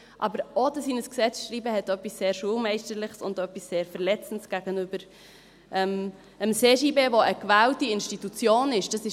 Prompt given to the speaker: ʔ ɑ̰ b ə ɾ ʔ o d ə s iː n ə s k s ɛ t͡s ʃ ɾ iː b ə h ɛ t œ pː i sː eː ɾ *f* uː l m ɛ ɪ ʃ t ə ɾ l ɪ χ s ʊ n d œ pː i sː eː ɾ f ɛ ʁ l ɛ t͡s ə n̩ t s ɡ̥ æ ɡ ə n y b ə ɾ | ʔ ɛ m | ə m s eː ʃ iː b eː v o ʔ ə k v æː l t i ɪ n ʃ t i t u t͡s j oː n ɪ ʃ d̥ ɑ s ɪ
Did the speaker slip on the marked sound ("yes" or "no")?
yes